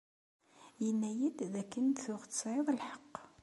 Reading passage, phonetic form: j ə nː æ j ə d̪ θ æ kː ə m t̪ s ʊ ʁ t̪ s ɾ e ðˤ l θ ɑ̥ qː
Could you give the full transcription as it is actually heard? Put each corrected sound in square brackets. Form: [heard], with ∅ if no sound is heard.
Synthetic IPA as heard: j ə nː æ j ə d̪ [ð] æ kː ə [n] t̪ [θ] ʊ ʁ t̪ s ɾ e ðˤ l [ħ] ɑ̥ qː